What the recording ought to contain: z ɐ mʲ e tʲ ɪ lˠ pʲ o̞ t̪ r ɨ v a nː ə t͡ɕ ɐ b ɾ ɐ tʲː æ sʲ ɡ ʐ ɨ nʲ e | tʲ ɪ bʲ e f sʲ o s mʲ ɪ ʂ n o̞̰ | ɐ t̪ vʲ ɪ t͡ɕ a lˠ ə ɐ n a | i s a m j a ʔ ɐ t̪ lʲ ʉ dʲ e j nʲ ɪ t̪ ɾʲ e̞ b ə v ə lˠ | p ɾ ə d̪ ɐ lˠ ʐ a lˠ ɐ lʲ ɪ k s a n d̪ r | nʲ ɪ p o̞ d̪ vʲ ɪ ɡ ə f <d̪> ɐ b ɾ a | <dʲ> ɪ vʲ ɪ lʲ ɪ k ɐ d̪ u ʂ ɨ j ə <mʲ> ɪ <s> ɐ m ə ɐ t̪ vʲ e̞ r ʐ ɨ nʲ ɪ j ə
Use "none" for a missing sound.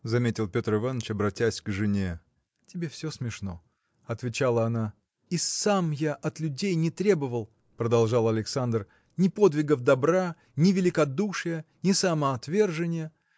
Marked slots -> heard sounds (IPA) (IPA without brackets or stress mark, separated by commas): d̪, nʲ, nʲ, s